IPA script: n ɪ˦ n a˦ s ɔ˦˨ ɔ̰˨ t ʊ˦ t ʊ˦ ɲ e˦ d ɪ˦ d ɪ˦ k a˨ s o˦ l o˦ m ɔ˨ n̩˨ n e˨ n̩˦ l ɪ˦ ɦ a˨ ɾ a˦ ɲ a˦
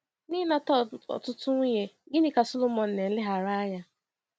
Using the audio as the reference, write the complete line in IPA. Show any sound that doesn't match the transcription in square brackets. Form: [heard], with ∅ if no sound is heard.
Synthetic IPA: n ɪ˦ n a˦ [t] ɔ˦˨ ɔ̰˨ t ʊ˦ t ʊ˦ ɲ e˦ [ɡ] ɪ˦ [n] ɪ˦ k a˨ s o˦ l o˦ m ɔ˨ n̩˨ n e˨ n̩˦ l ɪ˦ ɦ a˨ ɾ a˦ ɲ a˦